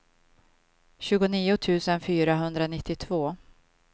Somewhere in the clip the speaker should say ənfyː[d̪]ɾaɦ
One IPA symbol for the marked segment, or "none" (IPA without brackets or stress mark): none